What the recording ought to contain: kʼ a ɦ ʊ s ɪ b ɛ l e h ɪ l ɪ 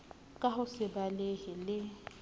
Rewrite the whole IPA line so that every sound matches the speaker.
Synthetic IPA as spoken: kʼ a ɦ ʊ s ɪ b a l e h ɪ l ɪ